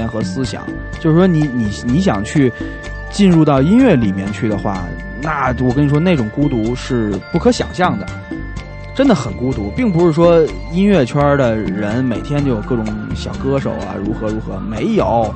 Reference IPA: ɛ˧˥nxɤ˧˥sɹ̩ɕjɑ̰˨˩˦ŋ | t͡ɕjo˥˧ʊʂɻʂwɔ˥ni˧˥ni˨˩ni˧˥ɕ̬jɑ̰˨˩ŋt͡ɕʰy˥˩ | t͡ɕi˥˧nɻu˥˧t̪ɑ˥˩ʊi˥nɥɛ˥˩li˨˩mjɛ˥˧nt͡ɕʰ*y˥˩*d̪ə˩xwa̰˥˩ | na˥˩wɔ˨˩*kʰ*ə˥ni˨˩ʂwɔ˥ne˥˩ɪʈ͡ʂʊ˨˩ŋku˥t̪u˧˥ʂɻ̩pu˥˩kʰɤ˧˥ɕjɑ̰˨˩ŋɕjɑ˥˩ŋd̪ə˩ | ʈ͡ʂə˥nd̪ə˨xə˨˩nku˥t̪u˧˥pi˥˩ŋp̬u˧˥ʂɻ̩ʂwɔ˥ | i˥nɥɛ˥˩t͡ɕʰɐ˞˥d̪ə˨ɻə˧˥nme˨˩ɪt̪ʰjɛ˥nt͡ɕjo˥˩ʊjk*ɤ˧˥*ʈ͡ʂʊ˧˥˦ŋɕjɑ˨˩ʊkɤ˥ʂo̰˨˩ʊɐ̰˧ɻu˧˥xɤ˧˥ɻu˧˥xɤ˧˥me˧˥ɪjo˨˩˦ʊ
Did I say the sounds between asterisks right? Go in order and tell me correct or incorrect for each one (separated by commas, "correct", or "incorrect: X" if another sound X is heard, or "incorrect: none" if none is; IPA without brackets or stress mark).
correct, incorrect: k, incorrect: ɤ˥˩